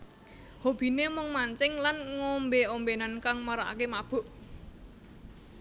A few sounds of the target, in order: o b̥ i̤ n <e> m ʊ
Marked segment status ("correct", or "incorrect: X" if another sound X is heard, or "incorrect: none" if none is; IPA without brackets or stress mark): correct